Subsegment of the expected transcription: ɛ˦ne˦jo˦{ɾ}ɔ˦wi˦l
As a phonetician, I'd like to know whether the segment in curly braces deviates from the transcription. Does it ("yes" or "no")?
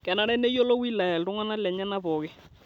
yes